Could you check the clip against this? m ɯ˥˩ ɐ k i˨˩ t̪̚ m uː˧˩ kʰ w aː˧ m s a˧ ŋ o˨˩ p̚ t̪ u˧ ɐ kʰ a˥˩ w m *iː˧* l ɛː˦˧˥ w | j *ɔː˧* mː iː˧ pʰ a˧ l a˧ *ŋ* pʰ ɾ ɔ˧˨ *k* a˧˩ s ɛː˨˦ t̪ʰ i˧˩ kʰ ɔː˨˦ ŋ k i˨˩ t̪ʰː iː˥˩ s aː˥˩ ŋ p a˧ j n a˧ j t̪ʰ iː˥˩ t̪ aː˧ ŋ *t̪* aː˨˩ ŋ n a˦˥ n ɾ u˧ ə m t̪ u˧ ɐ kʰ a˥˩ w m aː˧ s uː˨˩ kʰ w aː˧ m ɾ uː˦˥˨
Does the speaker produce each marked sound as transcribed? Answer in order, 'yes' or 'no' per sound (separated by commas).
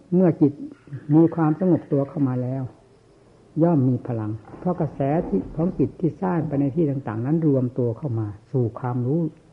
no, no, yes, yes, yes